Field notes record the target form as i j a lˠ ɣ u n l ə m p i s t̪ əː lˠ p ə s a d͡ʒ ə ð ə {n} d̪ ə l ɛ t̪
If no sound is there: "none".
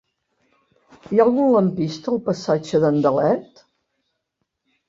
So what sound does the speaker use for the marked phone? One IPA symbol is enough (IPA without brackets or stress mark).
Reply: n